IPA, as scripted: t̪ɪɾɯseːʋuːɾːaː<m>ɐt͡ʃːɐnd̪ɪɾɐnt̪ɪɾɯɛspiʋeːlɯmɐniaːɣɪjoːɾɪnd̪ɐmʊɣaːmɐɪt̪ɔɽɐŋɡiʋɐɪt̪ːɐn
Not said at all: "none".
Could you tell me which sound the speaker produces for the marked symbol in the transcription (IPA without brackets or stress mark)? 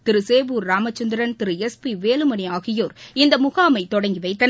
m